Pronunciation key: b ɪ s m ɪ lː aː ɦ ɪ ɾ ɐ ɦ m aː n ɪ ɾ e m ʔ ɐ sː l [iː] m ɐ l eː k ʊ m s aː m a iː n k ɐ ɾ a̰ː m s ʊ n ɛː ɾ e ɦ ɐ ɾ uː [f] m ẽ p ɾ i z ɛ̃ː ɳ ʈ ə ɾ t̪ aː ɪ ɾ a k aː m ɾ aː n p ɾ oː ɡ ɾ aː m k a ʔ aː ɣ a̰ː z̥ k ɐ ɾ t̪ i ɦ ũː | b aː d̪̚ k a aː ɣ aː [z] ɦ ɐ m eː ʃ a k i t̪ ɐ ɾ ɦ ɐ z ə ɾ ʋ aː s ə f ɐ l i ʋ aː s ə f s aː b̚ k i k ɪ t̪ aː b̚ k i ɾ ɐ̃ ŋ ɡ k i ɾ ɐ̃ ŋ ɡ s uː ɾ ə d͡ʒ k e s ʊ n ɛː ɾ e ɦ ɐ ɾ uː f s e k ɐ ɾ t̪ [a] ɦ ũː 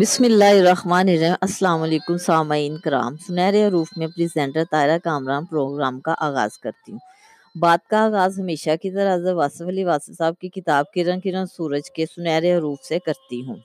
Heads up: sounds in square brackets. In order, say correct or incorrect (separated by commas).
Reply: incorrect, correct, correct, incorrect